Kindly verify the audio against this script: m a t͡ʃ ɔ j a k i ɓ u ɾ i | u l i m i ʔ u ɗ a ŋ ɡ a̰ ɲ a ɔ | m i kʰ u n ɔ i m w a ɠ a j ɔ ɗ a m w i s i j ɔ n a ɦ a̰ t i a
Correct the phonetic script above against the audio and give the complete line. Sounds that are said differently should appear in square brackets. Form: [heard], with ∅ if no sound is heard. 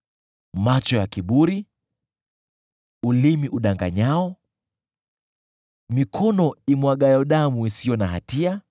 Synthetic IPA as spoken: m a t͡ʃ ɔ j a k i ɓ u ɾ i | u l i m i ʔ u ɗ a ŋ ɡ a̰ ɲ a ɔ | m i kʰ [ɔ] n ɔ i m w a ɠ a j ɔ ɗ a m [u] i s i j ɔ n a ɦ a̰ t i a